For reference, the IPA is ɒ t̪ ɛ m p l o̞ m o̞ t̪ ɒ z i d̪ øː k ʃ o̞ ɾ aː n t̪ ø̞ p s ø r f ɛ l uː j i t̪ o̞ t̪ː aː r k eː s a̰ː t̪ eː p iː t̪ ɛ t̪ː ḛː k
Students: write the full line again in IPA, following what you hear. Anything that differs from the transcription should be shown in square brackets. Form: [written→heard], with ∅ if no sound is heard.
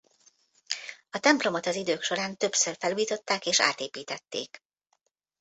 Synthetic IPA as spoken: ɒ t̪ ɛ m p l o̞ m o̞ t̪ ɒ z i d̪ øː k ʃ o̞ ɾ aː n t̪ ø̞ p s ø r f ɛ l uː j i t̪ o̞ t̪ː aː [r→∅] k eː [s→ʃ] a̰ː t̪ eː p iː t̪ ɛ t̪ː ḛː k